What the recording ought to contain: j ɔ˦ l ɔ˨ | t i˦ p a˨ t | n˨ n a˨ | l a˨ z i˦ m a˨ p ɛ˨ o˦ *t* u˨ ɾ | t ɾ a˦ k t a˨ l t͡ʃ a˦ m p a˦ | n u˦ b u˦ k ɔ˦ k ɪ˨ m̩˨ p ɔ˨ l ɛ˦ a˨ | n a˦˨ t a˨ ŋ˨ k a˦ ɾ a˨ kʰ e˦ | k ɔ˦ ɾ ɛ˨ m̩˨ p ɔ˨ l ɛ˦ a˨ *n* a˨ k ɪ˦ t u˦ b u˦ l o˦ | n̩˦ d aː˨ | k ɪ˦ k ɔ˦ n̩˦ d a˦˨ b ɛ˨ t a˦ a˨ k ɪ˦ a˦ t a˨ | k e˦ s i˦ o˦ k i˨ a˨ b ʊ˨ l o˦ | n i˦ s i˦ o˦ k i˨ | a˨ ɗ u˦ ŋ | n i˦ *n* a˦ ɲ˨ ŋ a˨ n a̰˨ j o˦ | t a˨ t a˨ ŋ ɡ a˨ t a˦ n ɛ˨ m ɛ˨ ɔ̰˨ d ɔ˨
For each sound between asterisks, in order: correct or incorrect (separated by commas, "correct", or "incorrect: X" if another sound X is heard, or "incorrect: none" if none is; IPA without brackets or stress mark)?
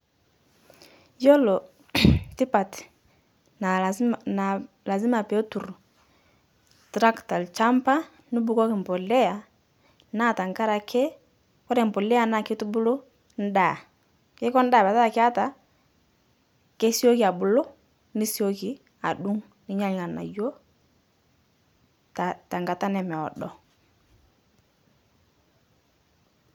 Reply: correct, correct, incorrect: ɲ